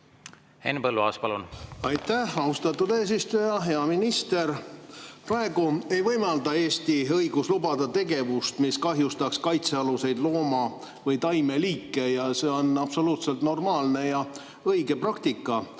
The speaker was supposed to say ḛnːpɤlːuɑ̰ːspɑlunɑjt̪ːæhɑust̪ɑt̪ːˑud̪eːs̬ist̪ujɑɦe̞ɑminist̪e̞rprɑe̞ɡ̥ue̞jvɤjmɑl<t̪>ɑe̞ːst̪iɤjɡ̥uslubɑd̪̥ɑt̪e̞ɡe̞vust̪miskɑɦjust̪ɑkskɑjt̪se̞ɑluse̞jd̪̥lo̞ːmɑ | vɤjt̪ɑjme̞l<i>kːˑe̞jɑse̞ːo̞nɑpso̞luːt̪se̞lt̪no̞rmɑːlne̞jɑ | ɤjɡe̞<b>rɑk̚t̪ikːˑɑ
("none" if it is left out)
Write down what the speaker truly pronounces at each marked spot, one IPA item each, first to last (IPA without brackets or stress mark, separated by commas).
d̪, iː, p